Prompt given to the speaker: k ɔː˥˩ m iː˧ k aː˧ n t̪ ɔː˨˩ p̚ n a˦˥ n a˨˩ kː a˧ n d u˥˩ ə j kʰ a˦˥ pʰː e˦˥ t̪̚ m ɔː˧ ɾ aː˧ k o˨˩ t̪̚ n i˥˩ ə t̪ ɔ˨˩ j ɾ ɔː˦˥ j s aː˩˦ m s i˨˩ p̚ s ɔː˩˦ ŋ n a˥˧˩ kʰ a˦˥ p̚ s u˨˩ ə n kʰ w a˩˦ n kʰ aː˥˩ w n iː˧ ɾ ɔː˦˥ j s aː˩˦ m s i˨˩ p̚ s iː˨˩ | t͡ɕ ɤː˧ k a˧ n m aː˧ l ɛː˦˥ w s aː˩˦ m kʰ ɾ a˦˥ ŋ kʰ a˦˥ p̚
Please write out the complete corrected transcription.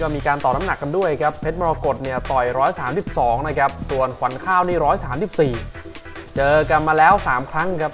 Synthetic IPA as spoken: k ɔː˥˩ m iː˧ k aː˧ n t̪ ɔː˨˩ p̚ n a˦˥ n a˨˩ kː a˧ n d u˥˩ ə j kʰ a˦˥ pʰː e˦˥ t̪̚ m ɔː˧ ɾ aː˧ k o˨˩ t̪̚ n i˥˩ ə t̪ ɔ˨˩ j ɾ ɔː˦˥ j s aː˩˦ m s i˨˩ p̚ s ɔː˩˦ ŋ n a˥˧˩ kʰ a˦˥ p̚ s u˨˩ ə n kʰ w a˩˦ n kʰ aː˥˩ w n iː˥˩ ɾ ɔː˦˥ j s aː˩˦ m s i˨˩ p̚ s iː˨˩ | t͡ɕ ɤː˧ k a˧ n m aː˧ l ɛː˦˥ w s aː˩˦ m kʰ ɾ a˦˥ ŋ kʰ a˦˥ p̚